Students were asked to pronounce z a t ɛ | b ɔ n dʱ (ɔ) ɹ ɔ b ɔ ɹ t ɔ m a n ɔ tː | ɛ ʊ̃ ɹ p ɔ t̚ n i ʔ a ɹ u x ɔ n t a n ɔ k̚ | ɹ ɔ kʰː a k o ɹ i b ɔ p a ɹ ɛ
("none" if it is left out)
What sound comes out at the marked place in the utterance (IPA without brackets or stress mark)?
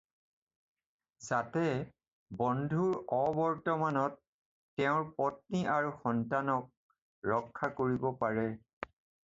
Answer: u